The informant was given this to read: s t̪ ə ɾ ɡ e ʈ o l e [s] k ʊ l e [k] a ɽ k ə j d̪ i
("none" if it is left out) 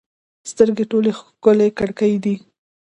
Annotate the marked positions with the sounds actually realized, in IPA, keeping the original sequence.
x, k

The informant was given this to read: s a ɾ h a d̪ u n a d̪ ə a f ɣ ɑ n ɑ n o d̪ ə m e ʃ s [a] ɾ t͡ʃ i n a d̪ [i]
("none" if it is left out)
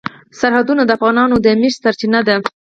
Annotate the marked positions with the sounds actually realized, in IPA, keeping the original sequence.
a, a

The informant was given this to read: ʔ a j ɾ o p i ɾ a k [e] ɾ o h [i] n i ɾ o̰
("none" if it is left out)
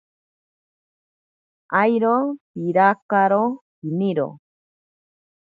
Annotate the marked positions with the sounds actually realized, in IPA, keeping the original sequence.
a, i

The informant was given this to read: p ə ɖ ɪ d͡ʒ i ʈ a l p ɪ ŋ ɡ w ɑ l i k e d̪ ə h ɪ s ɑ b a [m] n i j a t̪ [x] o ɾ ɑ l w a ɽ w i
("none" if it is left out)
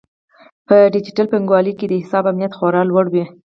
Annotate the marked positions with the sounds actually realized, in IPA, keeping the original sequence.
m, x

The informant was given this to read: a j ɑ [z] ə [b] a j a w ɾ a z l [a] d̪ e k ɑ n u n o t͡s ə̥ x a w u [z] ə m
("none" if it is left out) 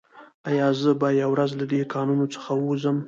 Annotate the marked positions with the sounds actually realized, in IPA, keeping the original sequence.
z, b, a, z

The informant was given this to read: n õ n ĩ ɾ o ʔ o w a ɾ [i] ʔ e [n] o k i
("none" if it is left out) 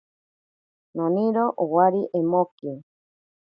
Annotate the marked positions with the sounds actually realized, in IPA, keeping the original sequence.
i, m

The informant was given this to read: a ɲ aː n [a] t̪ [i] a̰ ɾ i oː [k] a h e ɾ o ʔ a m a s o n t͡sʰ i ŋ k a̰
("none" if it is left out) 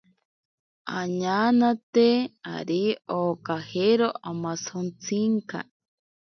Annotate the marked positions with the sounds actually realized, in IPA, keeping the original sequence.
a, e, k

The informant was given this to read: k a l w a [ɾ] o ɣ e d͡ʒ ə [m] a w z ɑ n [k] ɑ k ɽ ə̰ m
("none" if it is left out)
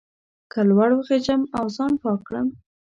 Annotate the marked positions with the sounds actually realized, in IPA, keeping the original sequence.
ɽ, m, p

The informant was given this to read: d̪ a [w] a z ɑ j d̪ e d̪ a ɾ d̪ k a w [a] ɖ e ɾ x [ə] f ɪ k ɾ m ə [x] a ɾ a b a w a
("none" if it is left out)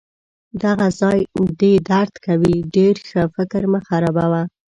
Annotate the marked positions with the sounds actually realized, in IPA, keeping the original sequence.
ɣ, i, ə, x

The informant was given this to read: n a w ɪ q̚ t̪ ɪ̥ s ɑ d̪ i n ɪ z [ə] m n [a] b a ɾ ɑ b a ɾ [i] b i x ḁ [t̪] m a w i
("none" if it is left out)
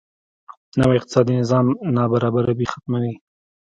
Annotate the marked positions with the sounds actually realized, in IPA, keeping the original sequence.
ɑ, ɑ, a, t̪

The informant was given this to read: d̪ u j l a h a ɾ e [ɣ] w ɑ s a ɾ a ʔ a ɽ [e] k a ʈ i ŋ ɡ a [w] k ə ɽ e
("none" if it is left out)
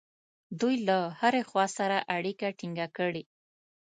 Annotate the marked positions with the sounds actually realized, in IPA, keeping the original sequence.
x, i, none

